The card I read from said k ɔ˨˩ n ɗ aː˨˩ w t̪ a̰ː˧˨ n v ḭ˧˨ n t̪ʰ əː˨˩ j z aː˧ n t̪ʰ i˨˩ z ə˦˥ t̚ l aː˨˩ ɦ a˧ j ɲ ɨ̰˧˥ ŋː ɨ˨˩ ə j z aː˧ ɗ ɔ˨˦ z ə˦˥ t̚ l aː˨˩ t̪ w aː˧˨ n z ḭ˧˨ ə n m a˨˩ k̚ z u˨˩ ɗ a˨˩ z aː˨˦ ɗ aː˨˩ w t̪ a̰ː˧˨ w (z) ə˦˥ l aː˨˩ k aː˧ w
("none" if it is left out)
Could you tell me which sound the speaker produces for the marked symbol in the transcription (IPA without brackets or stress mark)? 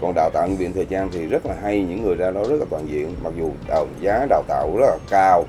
z